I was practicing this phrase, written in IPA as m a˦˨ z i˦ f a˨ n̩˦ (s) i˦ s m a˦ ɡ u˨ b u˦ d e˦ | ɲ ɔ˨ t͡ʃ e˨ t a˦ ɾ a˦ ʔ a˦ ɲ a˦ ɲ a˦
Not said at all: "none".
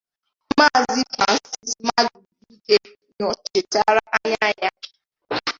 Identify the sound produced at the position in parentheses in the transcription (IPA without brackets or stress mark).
s